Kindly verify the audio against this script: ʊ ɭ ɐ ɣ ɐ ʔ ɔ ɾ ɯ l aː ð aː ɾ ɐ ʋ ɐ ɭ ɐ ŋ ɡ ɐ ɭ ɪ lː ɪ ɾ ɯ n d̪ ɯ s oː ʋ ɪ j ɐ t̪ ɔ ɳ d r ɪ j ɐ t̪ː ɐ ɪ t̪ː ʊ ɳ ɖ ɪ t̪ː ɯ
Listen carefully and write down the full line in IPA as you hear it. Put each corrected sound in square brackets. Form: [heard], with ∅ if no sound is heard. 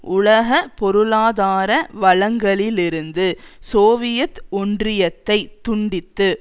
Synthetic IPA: ʊ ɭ ɐ ɣ ɐ [p] ɔ ɾ ɯ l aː ð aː ɾ ɐ ʋ ɐ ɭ ɐ ŋ ɡ ɐ ɭ ɪ [l] ɪ ɾ ɯ n d̪ ɯ s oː ʋ ɪ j ɐ t̪ ɔ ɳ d r ɪ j ɐ t̪ː ɐ ɪ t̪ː ʊ ɳ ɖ ɪ t̪ː ɯ

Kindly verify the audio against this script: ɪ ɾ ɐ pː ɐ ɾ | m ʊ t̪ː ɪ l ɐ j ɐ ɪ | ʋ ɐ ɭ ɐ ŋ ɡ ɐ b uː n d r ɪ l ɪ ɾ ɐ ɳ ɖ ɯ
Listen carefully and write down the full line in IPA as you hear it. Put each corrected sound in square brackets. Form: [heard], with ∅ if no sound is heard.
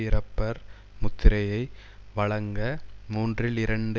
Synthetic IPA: ɪ ɾ ɐ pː ɐ ɾ | m ʊ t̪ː ɪ [ɾ] ɐ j ɐ ɪ | ʋ ɐ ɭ ɐ ŋ ɡ ɐ [m] uː n d r ɪ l ɪ ɾ ɐ ɳ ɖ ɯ

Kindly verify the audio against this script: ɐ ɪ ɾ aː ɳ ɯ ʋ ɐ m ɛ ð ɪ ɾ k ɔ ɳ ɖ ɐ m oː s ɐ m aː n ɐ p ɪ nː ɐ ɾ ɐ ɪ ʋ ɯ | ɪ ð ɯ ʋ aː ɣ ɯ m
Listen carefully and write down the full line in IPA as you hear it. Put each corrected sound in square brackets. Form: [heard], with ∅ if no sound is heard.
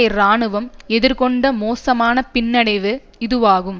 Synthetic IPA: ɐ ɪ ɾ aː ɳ ɯ ʋ ɐ m ɛ ð ɪ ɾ k ɔ ɳ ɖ ɐ m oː s ɐ m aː n ɐ p ɪ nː ɐ [ɽ] ɐ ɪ ʋ ɯ | ɪ ð ɯ ʋ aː ɣ ɯ m

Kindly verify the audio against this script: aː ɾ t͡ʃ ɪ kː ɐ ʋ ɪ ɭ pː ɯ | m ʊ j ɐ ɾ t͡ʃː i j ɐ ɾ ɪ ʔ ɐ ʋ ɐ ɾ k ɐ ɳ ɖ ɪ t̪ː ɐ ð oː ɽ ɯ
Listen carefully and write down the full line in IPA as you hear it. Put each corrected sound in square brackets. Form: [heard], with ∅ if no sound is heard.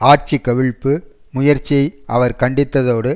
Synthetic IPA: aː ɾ t͡ʃ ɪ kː ɐ ʋ ɪ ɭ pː ɯ | m ʊ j ɐ ɾ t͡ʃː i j ɐ [∅] ɪ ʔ ɐ ʋ ɐ ɾ k ɐ ɳ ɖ ɪ t̪ː ɐ ð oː ɽ ɯ

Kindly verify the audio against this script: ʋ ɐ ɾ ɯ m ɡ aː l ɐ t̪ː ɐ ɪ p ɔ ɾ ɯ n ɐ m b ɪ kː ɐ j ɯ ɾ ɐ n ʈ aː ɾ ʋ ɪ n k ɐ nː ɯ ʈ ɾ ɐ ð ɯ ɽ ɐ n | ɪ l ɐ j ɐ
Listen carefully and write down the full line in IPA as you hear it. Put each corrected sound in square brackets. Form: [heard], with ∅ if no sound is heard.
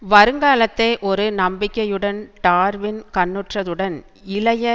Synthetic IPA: ʋ ɐ ɾ ɯ [ŋ] ɡ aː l ɐ t̪ː ɐ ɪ [ʔ] ɔ ɾ ɯ n ɐ m b ɪ kː ɐ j ɯ [ɽ] ɐ n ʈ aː ɾ ʋ ɪ n k ɐ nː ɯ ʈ [r] ɐ ð ɯ ɽ ɐ n | ɪ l ɐ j ɐ

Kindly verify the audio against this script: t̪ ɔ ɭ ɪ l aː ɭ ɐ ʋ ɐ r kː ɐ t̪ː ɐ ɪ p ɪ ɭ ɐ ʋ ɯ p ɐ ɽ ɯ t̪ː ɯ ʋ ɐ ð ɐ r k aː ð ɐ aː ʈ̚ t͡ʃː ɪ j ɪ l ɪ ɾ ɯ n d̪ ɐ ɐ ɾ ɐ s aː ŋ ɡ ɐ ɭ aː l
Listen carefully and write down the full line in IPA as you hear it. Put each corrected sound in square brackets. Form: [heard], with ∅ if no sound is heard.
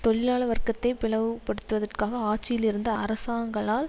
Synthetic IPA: t̪ ɔ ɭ ɪ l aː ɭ ɐ ʋ ɐ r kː ɐ t̪ː ɐ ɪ p ɪ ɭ ɐ ʋ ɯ p ɐ ɽ ɯ t̪ː ɯ ʋ ɐ ð ɐ r k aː [ɣ] ɐ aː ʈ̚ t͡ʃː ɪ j ɪ l ɪ ɾ ɯ n d̪ ɐ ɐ ɾ ɐ s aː ŋ ɡ ɐ ɭ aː l

